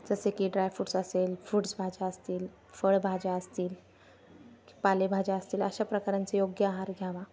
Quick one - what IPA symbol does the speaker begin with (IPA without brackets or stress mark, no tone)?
d͡z